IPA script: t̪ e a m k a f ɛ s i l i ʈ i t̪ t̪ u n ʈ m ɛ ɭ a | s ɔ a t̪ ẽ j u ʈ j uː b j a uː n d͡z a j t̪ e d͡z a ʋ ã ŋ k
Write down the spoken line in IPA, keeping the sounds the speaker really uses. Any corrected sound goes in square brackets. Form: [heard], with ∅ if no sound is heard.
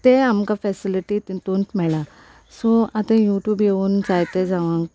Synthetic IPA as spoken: t̪ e a m k a f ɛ s i l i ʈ i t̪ t̪ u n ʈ m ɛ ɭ a | s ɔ a t̪ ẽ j u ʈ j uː b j [e] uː n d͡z a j t̪ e d͡z a ʋ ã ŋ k